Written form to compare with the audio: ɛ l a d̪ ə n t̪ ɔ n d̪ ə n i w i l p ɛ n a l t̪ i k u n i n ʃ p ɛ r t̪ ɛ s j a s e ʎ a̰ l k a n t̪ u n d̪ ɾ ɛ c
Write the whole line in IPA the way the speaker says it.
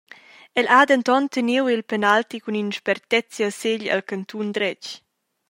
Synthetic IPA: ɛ l a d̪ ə n t̪ ɔ n t̪ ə n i w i l p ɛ n a l t̪ i k u n i n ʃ p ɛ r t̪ ɛ t͡s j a s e ʎ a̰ l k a n t̪ u n d̪ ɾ ɛ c